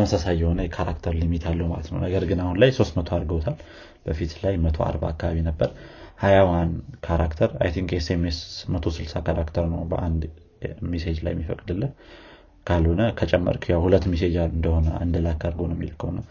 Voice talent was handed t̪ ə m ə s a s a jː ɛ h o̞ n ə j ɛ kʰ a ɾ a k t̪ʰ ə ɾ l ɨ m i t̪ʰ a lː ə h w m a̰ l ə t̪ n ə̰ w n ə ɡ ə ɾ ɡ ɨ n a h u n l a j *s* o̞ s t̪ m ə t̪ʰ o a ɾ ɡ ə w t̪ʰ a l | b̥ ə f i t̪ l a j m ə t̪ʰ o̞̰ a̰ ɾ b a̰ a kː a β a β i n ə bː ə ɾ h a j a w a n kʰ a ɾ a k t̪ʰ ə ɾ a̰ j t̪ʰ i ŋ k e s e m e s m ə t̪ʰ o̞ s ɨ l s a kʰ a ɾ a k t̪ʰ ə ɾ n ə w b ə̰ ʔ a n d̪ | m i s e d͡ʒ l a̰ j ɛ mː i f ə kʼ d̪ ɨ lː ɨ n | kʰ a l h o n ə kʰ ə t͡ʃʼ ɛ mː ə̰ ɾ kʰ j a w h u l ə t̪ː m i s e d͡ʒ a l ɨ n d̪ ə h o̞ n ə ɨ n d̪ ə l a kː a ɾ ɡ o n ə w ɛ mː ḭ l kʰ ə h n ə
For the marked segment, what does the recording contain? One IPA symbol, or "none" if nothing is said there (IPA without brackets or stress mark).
s